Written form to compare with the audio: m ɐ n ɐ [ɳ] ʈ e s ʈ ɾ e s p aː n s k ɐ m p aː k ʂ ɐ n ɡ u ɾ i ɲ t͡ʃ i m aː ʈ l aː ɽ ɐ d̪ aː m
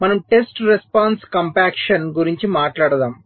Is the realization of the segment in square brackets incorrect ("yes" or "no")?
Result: yes